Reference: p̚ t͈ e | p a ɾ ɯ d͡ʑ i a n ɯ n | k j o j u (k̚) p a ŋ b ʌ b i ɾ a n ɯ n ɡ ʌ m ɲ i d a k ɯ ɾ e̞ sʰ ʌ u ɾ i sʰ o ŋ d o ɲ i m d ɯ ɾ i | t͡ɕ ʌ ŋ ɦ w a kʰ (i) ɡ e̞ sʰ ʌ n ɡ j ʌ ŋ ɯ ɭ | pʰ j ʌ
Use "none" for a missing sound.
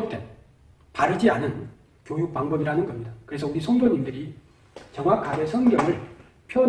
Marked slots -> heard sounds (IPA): k̚, a

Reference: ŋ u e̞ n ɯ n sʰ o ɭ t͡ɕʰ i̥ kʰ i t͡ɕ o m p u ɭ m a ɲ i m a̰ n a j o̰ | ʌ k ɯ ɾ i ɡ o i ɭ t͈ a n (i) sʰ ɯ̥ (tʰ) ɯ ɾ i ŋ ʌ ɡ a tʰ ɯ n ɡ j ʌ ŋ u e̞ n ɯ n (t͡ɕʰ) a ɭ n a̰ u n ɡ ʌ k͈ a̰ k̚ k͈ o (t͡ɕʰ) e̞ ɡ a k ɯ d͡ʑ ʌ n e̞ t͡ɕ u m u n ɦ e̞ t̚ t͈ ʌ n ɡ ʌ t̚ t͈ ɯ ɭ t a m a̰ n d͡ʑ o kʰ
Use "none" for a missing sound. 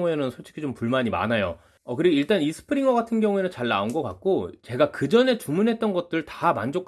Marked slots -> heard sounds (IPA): i, pʰ, t͡ɕ, t͡ɕ

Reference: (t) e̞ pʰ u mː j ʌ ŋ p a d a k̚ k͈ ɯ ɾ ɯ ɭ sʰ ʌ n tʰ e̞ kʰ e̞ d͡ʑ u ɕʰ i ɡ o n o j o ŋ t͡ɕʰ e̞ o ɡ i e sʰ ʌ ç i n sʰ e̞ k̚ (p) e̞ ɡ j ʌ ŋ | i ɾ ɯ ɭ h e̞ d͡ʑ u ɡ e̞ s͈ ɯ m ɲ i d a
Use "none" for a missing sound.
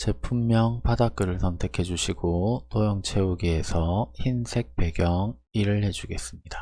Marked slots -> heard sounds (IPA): t͡ɕ, p

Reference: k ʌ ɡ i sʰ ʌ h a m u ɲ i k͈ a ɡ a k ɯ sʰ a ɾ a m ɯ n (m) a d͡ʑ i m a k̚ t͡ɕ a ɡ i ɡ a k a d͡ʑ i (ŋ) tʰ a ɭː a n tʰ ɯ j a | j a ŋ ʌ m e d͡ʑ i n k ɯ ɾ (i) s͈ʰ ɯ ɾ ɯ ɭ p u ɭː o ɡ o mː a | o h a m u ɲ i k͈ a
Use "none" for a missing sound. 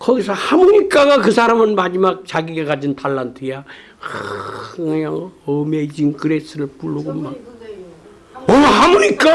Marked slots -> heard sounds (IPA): m, n, e

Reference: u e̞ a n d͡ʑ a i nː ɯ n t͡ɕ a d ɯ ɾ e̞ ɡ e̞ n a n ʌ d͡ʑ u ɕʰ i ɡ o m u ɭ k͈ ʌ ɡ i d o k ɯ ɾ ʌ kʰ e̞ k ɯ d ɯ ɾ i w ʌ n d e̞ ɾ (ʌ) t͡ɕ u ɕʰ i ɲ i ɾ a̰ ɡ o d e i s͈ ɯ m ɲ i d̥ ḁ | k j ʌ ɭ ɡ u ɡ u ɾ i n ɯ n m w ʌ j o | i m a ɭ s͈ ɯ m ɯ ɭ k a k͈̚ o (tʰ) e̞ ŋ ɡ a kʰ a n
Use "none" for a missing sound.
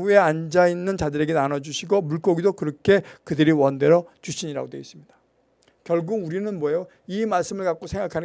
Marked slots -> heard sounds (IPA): ʌ, sʰ

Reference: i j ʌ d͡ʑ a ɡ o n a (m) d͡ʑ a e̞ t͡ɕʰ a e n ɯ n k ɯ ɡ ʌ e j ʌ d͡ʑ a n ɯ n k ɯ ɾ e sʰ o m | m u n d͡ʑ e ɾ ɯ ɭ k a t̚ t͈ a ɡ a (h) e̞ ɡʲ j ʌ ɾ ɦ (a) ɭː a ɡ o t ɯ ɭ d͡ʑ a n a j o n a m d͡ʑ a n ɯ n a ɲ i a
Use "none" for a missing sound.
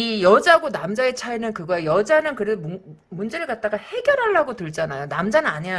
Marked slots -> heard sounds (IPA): m, h, a

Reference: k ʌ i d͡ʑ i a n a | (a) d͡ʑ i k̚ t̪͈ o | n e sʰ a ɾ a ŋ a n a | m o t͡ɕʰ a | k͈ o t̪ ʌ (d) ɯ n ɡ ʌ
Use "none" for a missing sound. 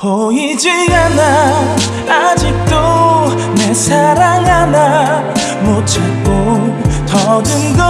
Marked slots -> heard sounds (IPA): a, d

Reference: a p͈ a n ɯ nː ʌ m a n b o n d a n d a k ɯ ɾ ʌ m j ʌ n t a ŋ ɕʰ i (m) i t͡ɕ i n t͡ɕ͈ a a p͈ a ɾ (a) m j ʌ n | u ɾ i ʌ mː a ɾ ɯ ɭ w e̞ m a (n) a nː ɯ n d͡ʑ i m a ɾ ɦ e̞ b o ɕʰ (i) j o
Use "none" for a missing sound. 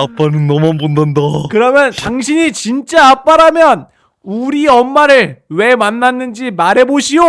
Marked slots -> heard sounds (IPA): ɲ, a, nː, i

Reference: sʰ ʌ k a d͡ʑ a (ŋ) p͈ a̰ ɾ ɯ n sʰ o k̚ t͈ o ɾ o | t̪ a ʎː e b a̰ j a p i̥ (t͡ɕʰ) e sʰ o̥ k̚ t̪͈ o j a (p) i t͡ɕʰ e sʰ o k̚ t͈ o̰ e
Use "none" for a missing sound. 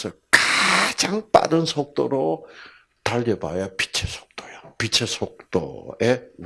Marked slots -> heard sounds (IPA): ŋ, t͡ɕʰ, p

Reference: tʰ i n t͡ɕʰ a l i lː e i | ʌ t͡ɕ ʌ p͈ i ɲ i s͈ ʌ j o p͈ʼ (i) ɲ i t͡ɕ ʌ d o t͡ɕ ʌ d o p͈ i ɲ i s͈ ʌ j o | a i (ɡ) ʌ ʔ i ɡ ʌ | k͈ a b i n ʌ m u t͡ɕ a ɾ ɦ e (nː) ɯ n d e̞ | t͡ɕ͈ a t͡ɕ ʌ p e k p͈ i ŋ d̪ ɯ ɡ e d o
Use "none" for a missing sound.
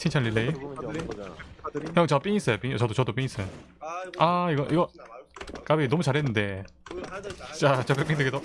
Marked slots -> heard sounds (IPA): i, ɡ, nː

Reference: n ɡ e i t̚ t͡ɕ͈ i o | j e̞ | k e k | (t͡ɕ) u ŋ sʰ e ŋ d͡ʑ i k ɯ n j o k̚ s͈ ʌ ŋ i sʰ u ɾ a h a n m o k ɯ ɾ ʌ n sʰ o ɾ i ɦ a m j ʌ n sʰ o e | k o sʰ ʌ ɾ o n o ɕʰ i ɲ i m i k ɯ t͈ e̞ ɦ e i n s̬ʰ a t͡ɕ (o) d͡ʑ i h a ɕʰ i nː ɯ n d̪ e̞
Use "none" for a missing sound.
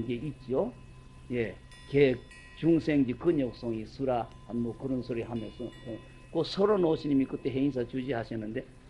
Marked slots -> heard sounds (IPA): t͡ɕ, u

